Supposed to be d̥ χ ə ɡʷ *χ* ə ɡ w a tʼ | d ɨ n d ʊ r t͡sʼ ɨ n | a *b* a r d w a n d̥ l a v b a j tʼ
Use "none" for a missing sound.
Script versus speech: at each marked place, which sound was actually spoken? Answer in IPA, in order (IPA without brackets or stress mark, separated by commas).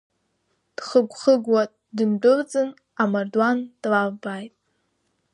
χ, m